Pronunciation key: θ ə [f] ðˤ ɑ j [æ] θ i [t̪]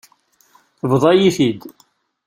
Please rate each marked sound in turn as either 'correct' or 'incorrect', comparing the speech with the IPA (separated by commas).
incorrect, incorrect, incorrect